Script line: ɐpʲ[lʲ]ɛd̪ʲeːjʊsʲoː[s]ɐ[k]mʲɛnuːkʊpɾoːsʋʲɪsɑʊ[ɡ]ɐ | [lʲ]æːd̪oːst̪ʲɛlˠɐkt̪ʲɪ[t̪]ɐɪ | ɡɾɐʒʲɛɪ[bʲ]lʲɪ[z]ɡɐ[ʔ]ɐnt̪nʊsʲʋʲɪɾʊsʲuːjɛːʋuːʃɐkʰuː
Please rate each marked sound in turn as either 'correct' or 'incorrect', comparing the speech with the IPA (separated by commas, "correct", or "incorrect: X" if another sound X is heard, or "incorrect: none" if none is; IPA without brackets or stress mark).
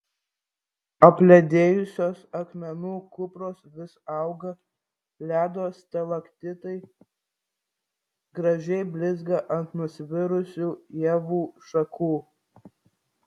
correct, correct, correct, correct, correct, correct, correct, correct, correct